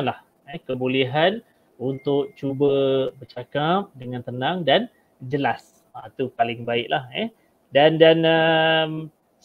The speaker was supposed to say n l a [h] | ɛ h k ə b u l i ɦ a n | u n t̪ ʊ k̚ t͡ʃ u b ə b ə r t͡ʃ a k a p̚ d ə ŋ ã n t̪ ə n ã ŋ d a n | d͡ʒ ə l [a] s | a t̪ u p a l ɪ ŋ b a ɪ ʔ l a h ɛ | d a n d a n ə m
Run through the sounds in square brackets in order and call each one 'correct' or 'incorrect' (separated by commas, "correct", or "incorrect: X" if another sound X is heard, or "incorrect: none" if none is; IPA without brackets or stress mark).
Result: correct, correct